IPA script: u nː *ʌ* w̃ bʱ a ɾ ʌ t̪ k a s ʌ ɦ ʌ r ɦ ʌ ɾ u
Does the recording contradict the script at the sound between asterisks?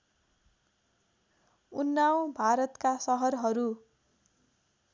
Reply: yes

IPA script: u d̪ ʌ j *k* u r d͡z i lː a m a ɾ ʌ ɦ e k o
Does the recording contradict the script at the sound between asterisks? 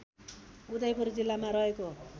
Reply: yes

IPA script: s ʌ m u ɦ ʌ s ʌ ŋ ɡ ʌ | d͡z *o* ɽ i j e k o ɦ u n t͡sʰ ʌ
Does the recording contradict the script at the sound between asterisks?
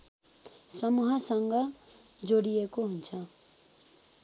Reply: no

